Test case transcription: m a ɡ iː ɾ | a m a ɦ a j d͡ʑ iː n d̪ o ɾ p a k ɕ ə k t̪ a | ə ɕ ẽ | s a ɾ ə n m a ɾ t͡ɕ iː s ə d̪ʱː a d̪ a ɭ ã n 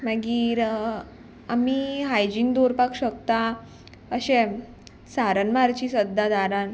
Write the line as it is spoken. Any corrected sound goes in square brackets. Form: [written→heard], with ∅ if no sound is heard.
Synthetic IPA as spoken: m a ɡ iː ɾ | a m [a→i] ɦ a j d͡ʑ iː n d̪ o ɾ p a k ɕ ə k t̪ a | ə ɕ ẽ | s a ɾ ə n m a ɾ t͡ɕ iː s ə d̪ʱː a d̪ a [ɭ→ɾ] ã n